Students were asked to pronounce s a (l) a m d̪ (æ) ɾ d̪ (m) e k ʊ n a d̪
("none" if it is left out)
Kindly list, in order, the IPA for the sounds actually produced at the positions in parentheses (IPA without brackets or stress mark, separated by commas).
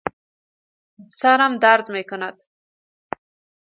ɾ, a, m